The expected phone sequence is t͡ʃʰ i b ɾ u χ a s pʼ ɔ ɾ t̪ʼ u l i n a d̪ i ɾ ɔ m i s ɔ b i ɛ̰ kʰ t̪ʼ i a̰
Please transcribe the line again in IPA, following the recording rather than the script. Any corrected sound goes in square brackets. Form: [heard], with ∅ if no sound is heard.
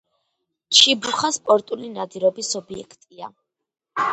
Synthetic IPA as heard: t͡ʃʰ i b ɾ u χ a s pʼ ɔ ɾ t̪ʼ u l i n a d̪ i ɾ ɔ [b] i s ɔ b i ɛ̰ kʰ t̪ʼ i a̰